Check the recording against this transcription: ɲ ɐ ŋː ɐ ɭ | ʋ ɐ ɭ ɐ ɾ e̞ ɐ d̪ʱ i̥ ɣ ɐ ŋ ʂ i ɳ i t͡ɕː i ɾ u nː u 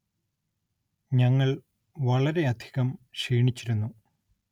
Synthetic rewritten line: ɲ ɐ ŋː ɐ ɭ | ʋ ɐ ɭ ɐ ɾ e̞ ɐ d̪ʱ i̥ ɣ ɐ m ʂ iː ɳ i t͡ɕː i ɾ u nː u